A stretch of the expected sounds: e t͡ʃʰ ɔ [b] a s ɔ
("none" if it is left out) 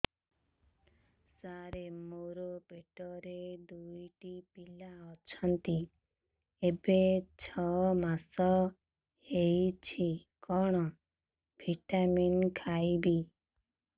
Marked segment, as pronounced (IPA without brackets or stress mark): m